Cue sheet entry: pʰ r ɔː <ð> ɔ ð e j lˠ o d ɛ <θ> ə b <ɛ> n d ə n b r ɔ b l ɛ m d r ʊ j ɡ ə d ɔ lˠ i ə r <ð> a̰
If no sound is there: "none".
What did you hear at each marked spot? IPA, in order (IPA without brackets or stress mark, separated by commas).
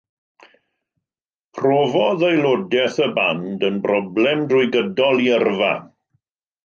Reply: v, θ, a, v